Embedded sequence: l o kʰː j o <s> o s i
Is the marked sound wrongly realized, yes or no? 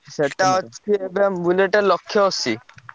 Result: yes